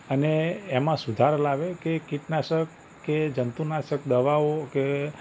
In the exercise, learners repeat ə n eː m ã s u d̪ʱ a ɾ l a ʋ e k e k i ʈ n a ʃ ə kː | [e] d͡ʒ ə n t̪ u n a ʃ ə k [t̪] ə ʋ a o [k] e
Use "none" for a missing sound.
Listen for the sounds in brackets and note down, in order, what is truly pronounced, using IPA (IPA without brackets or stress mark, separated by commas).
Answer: e, d̪, k